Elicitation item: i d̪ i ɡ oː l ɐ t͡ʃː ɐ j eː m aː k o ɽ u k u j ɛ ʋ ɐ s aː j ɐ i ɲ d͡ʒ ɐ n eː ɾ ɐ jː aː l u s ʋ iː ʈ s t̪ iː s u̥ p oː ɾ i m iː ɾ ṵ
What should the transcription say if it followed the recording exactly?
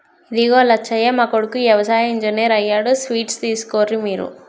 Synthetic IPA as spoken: i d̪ i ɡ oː l ɐ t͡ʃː ɐ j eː m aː k o ɽ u k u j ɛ ʋ ɐ s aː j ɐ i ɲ d͡ʒ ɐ n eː ɾ ɐ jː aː ɽ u s ʋ iː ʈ s t̪ iː s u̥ k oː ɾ i m iː ɾ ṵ

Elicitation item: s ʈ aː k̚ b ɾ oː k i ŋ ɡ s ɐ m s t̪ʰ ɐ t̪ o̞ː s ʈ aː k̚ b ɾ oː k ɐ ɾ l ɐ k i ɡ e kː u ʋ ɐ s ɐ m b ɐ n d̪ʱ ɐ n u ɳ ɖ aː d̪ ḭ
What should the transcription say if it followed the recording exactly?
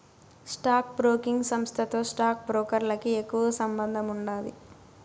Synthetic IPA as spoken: s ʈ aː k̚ b ɾ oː k i ŋ ɡ s ɐ m s t̪ʰ ɐ t̪ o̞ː s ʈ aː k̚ b ɾ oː k ɐ ɾ l ɐ k i e kː u ʋ ɐ s ɐ m b ɐ n d̪ʱ ɐ m u ɳ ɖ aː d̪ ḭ

